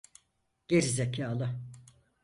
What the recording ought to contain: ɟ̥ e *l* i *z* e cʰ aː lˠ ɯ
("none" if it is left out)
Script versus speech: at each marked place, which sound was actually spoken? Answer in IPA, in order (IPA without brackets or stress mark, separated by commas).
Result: ɾ, z